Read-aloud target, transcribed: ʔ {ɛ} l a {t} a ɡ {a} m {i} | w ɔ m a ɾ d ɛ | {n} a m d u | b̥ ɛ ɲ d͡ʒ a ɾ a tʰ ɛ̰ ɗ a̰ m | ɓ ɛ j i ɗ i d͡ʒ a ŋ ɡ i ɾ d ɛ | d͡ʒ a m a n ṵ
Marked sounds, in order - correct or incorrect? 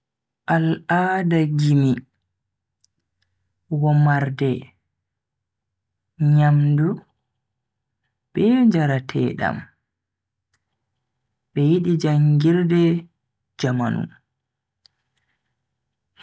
incorrect, incorrect, incorrect, correct, incorrect

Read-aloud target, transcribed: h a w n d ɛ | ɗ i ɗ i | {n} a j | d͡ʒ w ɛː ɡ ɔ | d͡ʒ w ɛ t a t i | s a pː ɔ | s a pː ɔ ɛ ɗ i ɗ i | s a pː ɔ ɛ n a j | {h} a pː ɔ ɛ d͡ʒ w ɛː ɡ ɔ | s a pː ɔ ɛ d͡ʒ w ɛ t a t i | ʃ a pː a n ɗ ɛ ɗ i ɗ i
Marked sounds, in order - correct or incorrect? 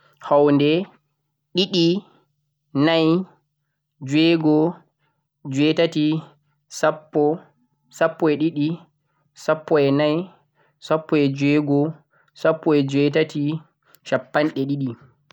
correct, incorrect

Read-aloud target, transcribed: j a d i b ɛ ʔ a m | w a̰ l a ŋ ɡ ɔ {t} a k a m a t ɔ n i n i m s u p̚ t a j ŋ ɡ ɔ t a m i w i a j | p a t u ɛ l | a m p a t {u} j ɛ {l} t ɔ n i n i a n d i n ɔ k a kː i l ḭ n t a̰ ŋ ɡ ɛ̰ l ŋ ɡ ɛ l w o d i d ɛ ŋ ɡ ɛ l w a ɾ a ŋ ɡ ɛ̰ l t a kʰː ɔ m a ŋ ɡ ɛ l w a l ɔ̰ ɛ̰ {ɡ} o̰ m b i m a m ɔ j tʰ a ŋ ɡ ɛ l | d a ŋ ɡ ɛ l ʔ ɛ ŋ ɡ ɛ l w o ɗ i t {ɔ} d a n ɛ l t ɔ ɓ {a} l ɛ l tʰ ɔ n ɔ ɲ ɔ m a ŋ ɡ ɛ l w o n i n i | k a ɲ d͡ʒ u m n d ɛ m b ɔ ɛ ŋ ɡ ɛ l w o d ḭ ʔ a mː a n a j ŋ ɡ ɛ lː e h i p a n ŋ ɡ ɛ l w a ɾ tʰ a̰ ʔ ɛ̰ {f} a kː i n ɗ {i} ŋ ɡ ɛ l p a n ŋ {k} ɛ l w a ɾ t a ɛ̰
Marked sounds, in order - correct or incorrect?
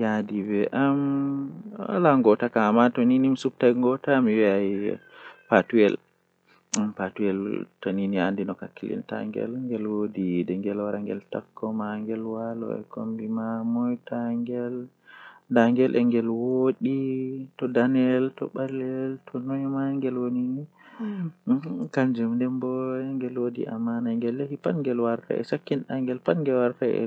correct, correct, correct, incorrect, correct, correct, incorrect, incorrect, incorrect

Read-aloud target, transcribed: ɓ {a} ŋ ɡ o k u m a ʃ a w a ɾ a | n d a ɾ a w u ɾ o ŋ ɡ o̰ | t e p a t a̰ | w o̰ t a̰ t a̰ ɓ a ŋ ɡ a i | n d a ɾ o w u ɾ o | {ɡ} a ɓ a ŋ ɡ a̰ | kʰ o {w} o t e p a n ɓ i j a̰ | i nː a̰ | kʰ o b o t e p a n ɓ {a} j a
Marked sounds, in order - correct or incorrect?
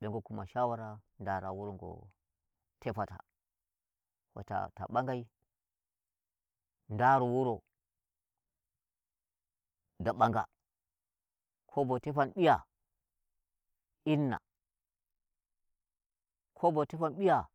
incorrect, incorrect, incorrect, incorrect

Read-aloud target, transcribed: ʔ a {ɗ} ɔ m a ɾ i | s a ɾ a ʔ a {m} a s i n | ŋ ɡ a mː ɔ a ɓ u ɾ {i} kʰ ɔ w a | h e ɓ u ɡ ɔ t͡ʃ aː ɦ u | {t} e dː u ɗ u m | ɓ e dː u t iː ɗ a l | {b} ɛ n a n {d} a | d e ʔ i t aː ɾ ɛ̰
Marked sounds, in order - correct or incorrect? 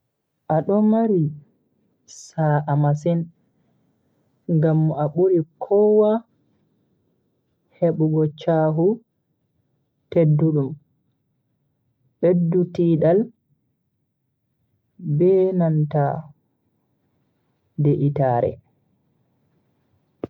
correct, correct, correct, correct, correct, incorrect

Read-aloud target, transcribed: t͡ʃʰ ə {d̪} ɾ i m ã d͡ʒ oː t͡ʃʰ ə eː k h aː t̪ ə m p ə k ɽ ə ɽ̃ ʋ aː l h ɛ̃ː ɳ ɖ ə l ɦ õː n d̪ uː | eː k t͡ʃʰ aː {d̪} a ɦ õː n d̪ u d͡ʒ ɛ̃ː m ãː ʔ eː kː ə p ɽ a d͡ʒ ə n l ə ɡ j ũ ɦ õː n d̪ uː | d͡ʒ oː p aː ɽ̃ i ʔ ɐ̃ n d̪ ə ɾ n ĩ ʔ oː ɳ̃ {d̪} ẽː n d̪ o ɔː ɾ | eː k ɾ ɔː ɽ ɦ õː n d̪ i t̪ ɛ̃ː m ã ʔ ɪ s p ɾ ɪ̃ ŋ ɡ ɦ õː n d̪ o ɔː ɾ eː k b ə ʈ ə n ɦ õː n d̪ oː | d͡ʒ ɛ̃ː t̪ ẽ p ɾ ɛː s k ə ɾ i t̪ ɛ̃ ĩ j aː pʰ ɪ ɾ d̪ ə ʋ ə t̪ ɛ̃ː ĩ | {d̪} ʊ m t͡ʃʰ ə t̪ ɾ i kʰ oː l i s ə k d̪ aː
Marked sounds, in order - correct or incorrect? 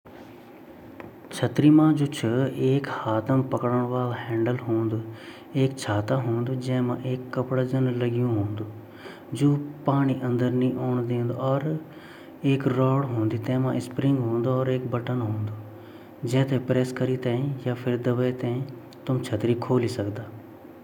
incorrect, incorrect, correct, incorrect

